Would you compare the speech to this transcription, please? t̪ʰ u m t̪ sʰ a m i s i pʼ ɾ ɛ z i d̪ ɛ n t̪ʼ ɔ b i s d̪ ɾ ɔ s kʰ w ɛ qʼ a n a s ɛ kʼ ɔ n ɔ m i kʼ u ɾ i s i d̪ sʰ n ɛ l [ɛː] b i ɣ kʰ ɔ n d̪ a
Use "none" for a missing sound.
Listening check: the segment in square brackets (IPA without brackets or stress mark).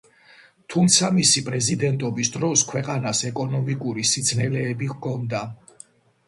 ɛː